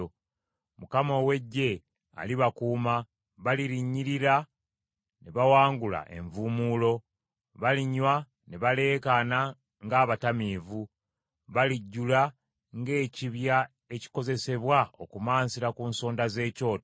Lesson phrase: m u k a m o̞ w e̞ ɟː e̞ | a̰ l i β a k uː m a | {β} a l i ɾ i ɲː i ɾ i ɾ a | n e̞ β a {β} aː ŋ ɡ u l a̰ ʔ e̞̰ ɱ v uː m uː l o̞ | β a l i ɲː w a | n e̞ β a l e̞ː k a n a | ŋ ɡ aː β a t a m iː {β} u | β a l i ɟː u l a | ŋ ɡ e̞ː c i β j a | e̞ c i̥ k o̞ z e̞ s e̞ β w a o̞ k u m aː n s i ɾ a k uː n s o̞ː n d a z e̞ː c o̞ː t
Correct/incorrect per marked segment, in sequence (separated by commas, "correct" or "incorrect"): correct, incorrect, incorrect